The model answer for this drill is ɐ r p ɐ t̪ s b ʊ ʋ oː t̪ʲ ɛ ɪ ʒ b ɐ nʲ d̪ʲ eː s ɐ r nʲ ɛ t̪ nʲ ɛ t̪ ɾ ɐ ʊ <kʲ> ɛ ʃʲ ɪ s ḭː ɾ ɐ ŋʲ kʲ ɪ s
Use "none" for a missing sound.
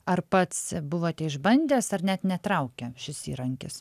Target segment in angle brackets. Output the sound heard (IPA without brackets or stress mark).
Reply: kʲ